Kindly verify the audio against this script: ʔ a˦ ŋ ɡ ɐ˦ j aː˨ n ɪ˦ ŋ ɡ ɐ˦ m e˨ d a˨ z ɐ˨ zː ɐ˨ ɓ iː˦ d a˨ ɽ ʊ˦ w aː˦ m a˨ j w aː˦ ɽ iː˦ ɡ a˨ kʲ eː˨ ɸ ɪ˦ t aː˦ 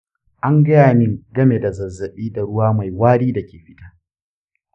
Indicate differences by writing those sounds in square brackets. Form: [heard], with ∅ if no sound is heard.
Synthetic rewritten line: ʔ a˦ ŋ ɡ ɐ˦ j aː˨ n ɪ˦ ŋ ɡ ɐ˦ m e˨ d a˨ z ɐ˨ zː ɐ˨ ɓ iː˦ d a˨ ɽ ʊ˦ w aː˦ m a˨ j w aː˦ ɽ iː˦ [d] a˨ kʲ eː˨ ɸ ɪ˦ t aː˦